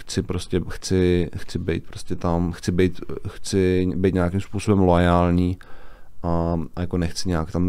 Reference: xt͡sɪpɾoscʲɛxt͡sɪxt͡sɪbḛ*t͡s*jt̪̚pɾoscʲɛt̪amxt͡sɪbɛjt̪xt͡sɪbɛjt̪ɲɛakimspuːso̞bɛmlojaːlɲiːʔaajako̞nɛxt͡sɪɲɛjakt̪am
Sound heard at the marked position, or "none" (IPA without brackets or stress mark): none